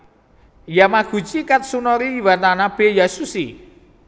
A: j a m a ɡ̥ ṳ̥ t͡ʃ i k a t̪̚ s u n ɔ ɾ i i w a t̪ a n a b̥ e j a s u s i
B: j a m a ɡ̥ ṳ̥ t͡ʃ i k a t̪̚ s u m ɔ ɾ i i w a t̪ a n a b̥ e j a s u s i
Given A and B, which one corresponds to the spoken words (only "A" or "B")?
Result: A